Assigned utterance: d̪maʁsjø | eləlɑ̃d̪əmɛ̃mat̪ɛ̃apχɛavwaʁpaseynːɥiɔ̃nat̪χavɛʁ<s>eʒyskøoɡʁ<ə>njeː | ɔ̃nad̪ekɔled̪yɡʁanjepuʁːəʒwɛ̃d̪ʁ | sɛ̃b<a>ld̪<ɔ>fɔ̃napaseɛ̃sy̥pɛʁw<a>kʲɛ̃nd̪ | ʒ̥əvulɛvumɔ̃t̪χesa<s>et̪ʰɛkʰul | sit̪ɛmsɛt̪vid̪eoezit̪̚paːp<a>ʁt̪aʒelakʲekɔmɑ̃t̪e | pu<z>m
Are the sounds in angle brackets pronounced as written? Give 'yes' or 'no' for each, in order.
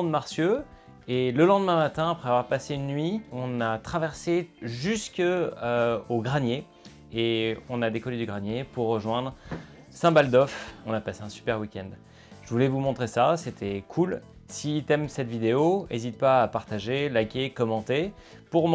yes, no, yes, yes, no, yes, yes, no

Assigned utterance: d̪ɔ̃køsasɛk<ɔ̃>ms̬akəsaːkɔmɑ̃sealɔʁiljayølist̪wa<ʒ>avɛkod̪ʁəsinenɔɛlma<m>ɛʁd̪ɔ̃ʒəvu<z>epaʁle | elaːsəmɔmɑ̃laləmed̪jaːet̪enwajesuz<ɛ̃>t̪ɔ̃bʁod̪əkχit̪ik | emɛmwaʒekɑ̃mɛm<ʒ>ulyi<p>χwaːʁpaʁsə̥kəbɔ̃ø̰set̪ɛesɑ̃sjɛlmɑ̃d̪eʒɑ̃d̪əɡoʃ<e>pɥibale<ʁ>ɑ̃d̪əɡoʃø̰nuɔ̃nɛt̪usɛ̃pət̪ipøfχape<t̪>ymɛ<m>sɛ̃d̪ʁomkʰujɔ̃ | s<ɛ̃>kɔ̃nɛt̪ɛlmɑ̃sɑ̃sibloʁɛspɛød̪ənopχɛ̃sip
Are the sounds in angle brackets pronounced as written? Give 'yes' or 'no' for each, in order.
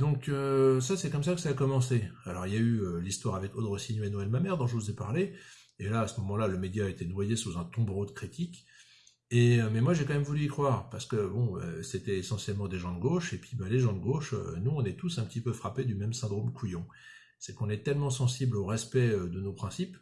no, no, yes, yes, yes, no, no, yes, no, no, yes, no

